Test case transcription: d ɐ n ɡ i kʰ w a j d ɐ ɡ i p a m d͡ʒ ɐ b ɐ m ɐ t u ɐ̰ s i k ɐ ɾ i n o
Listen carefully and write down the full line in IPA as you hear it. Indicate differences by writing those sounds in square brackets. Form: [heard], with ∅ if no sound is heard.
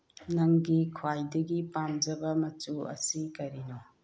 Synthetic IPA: [n] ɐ [ŋ] ɡ i kʰ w a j d ɐ ɡ i p a m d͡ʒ ɐ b ɐ m ɐ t u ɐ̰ s i k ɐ ɾ i n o